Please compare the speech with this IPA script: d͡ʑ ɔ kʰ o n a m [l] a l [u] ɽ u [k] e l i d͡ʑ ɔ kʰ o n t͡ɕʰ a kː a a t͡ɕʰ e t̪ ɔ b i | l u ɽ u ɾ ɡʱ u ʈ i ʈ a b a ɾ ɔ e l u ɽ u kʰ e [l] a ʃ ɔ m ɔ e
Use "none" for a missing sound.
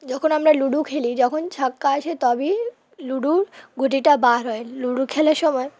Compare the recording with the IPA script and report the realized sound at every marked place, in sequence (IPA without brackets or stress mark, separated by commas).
ɾ, u, kʰ, l